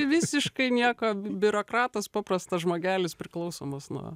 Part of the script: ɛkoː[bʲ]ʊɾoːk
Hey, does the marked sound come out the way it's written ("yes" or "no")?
yes